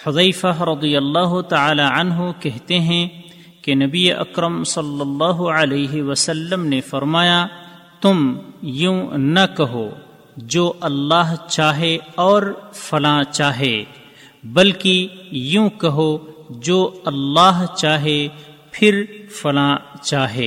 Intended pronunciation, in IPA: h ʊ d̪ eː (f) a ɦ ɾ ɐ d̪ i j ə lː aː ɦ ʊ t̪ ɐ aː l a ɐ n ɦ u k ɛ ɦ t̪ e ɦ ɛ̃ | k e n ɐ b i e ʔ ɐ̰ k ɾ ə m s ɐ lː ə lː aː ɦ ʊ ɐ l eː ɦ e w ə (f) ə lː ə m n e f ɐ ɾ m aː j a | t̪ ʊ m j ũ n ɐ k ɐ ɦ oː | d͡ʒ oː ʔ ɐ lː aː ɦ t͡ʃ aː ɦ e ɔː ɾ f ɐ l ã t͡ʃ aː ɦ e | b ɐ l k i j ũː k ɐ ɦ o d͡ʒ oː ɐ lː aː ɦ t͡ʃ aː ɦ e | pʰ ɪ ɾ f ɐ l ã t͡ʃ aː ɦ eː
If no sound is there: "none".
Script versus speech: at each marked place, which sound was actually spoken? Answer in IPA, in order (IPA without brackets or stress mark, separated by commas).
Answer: f, s